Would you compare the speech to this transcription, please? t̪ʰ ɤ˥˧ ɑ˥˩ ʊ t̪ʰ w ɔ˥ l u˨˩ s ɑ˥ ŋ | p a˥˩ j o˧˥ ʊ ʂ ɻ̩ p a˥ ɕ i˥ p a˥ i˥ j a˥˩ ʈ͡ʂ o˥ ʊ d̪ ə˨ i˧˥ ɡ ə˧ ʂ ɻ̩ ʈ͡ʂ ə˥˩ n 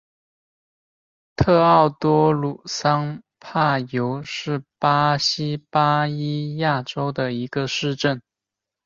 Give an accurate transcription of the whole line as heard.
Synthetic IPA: t̪ʰ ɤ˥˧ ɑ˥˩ ʊ t̪ w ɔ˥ l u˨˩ s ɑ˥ ŋ | pʰ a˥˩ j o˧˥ ʊ ʂ ɻ̩ p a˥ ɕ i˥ p a˥ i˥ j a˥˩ ʈ͡ʂ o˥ ʊ d̪ ə˨ i˧˥ ɡ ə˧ ʂ ɻ̩ ʈ͡ʂ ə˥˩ n